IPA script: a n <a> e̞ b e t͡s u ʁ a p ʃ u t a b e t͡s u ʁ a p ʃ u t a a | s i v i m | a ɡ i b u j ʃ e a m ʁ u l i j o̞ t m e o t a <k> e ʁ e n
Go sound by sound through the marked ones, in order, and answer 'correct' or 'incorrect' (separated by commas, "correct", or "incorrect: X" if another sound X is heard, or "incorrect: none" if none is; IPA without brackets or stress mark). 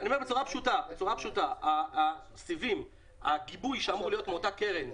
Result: incorrect: i, correct